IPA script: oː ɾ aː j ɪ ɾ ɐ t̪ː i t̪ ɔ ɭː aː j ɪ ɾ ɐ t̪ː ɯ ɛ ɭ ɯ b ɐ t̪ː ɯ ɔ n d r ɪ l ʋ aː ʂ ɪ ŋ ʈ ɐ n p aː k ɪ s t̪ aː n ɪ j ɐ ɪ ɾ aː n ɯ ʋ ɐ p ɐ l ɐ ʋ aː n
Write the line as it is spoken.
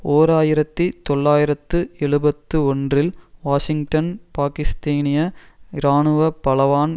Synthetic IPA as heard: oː ɾ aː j ɪ ɾ ɐ t̪ː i t̪ ɔ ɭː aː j ɪ ɾ ɐ t̪ː ɯ ɛ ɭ ɯ b ɐ t̪ː ɯ ɔ n d r ɪ l ʋ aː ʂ ɪ ŋ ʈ ɐ n p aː k ɪ s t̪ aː n ɪ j ɐ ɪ ɾ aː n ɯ ʋ ɐ p ɐ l ɐ ʋ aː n